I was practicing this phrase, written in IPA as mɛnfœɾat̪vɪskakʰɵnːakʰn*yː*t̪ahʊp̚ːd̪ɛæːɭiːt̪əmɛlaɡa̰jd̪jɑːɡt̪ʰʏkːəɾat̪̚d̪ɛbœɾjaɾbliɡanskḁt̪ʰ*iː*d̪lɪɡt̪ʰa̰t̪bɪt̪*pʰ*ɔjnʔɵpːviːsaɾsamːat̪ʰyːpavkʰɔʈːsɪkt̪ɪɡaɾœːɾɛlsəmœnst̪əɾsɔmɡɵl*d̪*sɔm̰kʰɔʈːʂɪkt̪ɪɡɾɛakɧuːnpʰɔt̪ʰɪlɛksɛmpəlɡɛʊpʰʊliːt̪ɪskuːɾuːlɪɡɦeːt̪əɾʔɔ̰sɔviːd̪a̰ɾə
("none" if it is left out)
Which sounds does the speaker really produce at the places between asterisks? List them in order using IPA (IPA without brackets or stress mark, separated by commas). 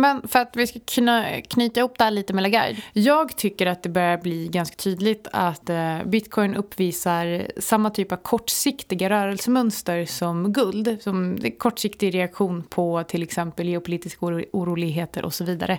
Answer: yː, yː, kʰ, d̪